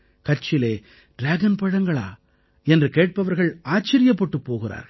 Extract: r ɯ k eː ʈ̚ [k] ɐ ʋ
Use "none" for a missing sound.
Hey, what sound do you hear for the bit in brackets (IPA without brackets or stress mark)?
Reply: p